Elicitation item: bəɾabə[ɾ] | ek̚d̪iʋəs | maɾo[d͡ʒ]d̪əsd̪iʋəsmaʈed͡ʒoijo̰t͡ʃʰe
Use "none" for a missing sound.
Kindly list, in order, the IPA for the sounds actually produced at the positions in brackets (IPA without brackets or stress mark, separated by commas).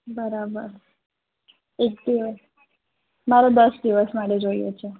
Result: ɾ, none